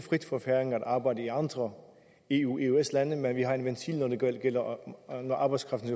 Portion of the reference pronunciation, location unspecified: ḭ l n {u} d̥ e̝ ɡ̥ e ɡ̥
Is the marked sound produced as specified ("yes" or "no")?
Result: no